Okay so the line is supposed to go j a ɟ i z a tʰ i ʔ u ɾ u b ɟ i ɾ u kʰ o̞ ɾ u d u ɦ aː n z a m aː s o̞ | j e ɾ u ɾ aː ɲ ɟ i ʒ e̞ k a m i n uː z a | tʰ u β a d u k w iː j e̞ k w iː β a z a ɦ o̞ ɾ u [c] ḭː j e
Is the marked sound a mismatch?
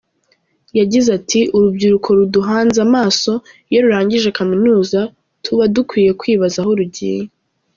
yes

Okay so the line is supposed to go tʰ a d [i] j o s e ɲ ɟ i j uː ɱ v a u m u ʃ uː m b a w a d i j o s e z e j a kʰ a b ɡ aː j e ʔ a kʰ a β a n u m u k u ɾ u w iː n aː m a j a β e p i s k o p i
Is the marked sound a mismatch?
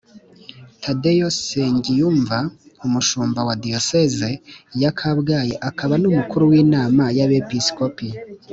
yes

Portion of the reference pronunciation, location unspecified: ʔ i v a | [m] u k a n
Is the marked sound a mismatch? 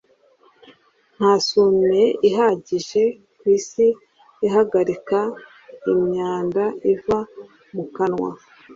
no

